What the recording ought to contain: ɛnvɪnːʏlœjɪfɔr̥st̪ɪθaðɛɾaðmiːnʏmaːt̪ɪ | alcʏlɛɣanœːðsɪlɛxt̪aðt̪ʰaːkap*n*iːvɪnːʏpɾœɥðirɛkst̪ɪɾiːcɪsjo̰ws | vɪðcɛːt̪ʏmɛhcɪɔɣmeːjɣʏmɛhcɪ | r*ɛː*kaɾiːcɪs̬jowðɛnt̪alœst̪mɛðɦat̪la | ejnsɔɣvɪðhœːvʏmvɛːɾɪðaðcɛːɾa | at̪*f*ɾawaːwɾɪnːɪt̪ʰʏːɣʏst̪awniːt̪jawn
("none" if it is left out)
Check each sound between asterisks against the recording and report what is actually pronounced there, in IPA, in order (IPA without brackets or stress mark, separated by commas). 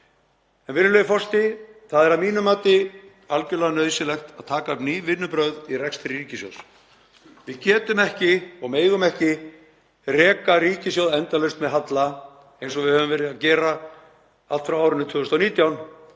n, ɛː, f